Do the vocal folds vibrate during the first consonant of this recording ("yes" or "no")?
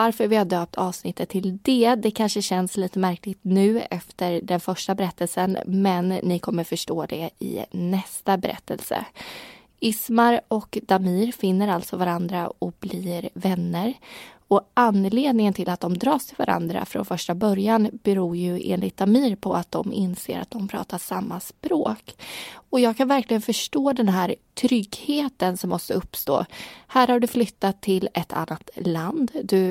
yes